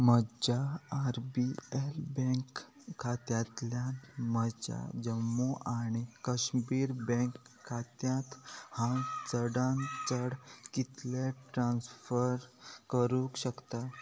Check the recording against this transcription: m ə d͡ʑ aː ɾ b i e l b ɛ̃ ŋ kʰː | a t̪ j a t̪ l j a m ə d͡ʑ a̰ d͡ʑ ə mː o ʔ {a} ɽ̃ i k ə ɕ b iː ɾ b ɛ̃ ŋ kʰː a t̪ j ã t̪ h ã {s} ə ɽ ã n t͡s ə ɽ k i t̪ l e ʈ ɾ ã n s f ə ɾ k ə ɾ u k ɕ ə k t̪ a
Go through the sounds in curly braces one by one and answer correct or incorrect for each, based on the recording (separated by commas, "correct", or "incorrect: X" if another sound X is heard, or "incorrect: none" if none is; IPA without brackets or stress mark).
correct, incorrect: t͡s